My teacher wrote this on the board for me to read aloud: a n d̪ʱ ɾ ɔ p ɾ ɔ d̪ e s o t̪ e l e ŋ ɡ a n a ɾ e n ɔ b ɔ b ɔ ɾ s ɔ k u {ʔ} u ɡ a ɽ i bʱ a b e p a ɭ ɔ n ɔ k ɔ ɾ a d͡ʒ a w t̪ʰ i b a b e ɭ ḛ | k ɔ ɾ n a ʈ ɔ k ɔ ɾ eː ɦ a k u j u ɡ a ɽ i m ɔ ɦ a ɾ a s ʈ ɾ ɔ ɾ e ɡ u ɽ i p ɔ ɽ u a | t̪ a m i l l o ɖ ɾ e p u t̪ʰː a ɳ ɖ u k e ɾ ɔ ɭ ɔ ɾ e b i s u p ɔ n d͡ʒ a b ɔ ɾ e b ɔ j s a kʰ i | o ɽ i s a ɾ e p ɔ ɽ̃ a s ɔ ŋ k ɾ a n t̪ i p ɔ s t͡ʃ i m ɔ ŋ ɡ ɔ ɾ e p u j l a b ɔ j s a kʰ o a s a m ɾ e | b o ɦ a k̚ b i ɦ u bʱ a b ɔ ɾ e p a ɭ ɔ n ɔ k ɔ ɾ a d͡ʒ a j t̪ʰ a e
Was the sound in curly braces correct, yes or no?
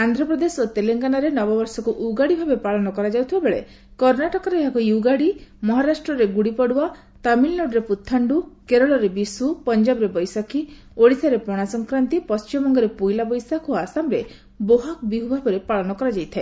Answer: yes